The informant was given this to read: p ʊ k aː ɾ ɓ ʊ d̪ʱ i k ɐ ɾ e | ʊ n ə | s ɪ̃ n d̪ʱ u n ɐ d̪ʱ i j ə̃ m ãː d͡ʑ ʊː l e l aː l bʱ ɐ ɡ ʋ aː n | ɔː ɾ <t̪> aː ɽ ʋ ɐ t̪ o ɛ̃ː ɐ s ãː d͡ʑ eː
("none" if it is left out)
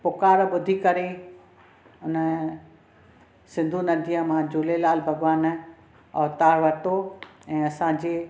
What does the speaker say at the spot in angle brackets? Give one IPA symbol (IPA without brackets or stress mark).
t̪